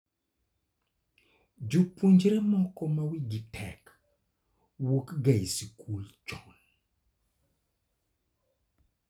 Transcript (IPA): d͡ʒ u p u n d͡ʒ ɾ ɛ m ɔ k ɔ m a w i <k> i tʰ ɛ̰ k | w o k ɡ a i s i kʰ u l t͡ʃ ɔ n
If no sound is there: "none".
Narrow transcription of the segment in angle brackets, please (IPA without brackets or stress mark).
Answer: ɡ